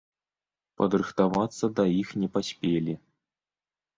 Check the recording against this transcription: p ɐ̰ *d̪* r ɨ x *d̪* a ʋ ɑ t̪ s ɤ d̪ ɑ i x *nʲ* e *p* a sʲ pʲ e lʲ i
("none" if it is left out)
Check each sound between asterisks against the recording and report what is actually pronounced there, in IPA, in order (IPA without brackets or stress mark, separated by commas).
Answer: d̪, t̪, nʲ, p